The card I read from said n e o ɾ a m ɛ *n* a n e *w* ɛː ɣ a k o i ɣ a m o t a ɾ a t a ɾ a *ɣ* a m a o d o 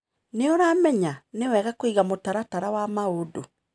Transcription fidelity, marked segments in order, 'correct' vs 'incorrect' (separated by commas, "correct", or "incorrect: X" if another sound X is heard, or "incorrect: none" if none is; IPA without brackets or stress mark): incorrect: ɲ, correct, incorrect: w